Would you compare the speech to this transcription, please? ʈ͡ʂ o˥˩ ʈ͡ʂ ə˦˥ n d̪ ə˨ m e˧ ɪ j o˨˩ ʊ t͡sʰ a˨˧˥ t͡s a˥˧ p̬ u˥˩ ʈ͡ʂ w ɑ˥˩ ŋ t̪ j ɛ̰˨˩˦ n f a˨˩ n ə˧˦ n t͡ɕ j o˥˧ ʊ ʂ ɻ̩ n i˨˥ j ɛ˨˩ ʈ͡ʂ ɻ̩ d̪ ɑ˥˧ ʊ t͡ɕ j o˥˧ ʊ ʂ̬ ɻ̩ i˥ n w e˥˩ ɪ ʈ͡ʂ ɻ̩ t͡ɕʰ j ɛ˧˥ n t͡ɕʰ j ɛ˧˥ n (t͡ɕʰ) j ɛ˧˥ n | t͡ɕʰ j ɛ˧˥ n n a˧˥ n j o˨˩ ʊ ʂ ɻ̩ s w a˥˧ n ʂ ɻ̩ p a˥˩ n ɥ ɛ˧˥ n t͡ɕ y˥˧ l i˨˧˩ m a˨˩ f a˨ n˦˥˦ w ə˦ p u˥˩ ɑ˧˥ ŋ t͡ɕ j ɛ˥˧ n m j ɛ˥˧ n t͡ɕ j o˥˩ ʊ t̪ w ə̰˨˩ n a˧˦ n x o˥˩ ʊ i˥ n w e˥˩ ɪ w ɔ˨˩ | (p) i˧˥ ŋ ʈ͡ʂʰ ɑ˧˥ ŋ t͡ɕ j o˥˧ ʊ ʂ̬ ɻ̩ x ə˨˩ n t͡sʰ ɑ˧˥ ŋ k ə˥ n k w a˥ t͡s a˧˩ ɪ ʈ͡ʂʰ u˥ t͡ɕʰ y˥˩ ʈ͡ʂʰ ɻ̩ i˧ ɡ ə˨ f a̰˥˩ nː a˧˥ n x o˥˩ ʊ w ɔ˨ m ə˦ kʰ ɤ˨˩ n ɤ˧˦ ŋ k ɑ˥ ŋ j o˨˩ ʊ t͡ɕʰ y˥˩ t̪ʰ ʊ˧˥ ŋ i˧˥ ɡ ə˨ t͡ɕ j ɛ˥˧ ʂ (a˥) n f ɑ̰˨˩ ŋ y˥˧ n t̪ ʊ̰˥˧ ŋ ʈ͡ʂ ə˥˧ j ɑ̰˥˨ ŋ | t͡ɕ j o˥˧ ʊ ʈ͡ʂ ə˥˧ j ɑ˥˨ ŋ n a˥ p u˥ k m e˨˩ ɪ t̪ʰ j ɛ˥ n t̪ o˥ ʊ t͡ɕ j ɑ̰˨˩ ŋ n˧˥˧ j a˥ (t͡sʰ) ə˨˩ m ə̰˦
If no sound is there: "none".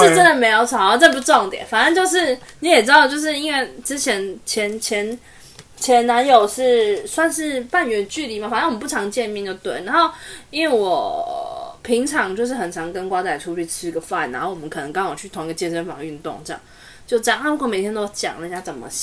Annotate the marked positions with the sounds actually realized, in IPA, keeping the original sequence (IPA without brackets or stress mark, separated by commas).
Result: t͡ɕʰ, pʰ, ə˥, t͡s